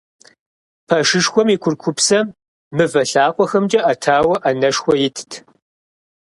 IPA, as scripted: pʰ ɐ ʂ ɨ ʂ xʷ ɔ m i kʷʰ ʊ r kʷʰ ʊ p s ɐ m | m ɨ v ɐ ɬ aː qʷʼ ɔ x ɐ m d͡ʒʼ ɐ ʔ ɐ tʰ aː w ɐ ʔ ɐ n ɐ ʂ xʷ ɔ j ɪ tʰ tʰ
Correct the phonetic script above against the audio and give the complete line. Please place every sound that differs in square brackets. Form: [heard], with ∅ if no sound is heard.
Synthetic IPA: pʰ ɐ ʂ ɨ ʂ xʷ ɔ m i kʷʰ ʊ r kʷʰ ʊ p s ɐ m | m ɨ v ɐ ɬ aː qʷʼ ɔ x ɐ m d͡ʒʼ ɐ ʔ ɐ tʰ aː w ɐ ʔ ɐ n ɐ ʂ xʷ ɔ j ɪ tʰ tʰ